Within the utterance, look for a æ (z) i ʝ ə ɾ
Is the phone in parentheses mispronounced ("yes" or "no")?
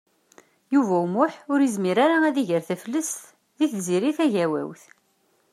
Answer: yes